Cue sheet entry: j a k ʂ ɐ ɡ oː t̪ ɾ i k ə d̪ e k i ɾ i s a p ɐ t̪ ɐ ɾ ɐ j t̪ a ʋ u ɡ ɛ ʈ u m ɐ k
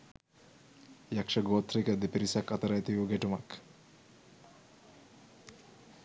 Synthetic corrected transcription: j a k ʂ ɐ ɡ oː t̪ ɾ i k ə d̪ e p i ɾ i s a k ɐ t̪ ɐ ɾ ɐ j t̪ i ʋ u ɡ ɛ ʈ u m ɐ k